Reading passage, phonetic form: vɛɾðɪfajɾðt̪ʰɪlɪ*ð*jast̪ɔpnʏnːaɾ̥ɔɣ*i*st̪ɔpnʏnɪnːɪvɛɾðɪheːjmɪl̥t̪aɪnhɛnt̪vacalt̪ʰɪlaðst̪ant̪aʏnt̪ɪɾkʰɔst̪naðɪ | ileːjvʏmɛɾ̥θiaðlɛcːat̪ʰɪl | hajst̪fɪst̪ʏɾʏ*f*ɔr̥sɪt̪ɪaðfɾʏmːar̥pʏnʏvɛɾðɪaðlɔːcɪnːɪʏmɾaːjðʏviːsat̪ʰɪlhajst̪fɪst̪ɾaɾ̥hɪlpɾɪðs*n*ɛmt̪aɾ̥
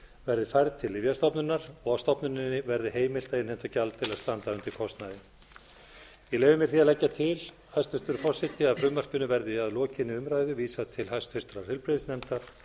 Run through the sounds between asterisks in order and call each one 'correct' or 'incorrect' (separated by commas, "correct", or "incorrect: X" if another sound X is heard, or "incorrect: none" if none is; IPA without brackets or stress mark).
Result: incorrect: v, incorrect: a, correct, correct